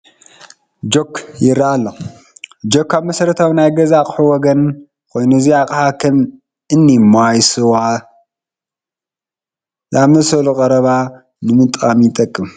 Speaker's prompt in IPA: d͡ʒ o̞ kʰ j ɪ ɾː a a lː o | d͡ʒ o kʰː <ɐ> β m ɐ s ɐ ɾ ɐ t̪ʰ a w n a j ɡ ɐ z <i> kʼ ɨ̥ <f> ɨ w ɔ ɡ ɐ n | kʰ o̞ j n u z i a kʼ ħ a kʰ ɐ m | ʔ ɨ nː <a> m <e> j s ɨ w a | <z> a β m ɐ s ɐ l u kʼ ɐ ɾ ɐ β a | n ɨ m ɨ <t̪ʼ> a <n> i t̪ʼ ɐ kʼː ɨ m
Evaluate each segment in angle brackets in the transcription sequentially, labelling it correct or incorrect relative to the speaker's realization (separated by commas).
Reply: incorrect, incorrect, incorrect, incorrect, incorrect, correct, correct, incorrect